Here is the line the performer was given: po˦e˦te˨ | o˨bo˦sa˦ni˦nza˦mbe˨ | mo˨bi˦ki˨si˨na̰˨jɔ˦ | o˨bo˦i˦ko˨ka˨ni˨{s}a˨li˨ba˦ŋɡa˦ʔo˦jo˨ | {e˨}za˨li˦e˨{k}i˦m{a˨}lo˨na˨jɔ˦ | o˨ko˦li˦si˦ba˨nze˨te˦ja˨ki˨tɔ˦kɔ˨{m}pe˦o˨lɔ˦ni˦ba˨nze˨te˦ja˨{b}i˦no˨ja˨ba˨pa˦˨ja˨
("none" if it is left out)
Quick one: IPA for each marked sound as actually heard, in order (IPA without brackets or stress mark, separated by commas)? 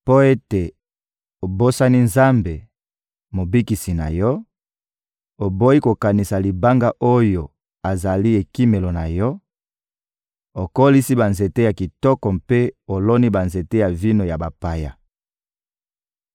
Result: s, a˨, k, e˨, m, v